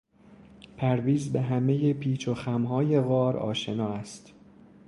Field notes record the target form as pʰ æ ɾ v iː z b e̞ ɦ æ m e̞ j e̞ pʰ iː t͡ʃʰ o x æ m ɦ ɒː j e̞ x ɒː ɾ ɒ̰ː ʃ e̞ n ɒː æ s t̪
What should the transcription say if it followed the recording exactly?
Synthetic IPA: pʰ æ ɾ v iː z b e̞ ɦ æ m e̞ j e̞ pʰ iː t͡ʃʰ o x æ m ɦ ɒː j e̞ ɣ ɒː ɾ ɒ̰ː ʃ e̞ n ɒː æ s t̪